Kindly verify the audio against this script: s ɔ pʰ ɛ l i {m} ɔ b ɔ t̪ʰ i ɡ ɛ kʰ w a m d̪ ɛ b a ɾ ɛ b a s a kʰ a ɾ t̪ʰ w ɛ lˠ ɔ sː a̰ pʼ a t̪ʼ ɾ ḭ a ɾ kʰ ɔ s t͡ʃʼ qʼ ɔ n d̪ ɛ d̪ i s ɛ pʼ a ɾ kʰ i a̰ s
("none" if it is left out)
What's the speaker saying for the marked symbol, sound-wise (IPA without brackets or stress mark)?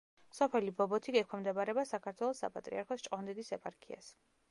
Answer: b